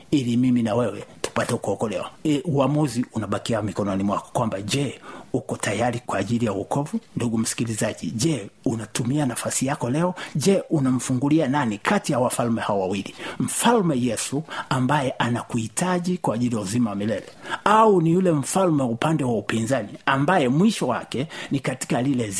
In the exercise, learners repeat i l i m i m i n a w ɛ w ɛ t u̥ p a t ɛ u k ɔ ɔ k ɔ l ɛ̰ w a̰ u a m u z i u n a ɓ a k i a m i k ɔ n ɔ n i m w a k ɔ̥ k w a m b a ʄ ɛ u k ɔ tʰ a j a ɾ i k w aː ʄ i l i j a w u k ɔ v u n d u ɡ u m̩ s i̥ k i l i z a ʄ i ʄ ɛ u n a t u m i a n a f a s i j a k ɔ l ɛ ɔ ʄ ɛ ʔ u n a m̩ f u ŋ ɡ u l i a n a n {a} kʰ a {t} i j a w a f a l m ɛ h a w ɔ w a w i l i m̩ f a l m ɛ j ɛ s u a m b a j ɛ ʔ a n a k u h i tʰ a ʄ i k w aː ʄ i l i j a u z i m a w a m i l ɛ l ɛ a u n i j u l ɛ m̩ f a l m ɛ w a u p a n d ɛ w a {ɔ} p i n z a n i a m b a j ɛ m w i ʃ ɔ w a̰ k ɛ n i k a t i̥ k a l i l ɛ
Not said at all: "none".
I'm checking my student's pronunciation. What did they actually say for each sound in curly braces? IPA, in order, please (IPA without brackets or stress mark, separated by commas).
i, t, u